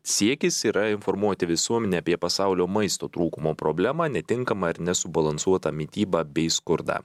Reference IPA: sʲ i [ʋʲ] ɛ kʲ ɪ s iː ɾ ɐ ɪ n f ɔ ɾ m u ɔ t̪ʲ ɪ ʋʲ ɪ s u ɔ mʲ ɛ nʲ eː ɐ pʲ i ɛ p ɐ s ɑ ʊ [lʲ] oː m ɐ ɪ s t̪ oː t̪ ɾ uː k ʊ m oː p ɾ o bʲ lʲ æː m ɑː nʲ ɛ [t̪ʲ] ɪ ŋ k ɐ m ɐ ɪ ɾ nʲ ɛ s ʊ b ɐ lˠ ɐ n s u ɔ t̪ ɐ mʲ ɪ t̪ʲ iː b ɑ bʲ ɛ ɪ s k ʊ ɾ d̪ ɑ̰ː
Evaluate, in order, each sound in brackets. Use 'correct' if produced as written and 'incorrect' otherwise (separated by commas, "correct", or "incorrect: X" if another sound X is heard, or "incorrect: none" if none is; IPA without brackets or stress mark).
incorrect: none, correct, correct